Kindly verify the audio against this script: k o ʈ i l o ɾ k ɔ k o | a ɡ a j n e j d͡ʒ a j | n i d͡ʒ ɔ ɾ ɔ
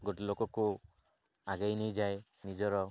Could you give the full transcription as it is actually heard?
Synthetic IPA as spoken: ɡ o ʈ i l o k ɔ k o | a ɡ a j n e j d͡ʒ a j | n i d͡ʒ ɔ ɾ ɔ